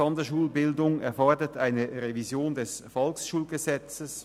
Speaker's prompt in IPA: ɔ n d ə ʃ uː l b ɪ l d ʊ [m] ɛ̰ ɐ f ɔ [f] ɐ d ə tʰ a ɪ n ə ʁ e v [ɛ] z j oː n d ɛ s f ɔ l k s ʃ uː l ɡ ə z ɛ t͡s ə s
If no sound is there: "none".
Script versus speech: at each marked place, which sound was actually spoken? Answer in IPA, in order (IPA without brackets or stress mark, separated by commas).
ŋ, none, i